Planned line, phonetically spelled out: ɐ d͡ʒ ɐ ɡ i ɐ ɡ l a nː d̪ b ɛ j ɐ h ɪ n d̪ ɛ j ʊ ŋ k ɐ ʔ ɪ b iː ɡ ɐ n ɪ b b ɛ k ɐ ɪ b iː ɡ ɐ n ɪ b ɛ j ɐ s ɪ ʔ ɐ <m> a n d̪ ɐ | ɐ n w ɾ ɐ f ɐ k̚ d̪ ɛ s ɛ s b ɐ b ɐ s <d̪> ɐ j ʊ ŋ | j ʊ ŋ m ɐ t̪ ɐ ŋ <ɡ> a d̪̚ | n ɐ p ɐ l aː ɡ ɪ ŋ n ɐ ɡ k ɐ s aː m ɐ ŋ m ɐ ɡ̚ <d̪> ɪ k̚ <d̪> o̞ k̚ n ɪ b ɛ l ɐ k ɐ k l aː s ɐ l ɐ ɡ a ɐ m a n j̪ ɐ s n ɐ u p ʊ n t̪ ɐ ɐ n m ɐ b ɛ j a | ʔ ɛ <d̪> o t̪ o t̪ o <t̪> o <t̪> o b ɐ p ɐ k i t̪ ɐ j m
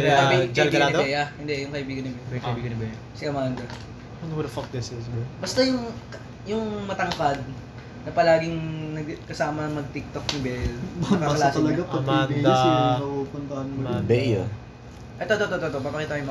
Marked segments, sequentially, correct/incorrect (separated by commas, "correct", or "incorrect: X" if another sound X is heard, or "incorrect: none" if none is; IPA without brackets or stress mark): correct, incorrect: t̪, incorrect: k, incorrect: t̪, incorrect: t̪, incorrect: t̪, correct, correct